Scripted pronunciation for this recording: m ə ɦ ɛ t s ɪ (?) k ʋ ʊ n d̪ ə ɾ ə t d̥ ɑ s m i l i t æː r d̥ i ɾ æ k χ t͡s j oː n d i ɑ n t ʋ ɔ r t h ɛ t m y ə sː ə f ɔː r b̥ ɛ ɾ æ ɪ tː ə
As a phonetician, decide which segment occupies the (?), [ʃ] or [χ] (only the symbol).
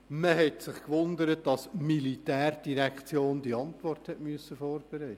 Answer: χ